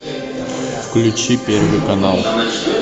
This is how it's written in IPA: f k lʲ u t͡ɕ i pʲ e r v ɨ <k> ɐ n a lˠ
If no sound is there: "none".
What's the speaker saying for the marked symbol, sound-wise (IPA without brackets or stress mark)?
k